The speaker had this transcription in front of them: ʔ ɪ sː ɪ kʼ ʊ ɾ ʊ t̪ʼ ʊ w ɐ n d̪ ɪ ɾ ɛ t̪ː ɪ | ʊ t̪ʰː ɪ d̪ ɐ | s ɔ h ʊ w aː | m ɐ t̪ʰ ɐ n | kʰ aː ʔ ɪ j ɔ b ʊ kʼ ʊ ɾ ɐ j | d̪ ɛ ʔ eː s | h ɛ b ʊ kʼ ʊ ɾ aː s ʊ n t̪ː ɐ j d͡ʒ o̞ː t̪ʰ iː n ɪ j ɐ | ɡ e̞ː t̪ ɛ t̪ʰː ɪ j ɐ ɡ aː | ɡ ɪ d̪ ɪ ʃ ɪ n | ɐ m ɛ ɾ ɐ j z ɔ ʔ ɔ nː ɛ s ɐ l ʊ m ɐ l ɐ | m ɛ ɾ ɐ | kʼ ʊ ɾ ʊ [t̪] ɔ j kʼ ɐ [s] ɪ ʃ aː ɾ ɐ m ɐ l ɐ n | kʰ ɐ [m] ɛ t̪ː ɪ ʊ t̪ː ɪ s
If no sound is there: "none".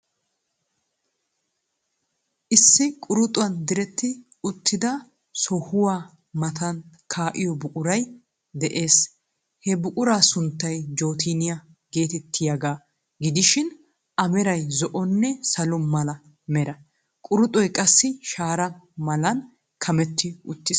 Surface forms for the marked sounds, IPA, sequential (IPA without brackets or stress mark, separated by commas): t̪ʼ, sː, m